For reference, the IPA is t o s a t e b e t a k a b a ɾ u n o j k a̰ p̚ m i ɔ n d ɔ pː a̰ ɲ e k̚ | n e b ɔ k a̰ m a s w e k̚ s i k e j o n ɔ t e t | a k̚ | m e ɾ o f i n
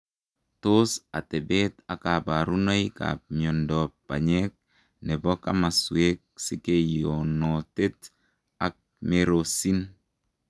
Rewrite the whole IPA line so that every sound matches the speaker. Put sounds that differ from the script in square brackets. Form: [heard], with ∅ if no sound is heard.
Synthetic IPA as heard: t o s a t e b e t a k a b a ɾ u n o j k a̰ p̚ m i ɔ n d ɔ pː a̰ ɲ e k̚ | n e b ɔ k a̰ m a s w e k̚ s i k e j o n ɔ t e t | a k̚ | m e ɾ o [s] i n